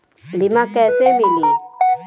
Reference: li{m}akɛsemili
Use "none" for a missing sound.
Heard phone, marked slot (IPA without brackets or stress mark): m